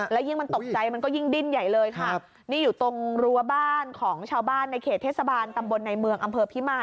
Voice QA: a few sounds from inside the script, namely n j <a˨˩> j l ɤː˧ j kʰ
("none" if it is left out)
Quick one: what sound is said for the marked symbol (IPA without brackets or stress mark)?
a˨˩